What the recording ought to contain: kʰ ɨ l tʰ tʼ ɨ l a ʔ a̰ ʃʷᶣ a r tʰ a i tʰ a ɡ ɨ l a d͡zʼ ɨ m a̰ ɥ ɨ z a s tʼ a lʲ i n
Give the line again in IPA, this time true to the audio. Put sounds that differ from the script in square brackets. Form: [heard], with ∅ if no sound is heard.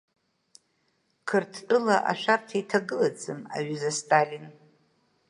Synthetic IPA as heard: kʰ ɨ [r] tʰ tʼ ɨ l a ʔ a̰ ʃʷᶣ a r tʰ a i tʰ a ɡ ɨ l a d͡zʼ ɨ m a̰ ɥ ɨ z a s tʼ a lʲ i n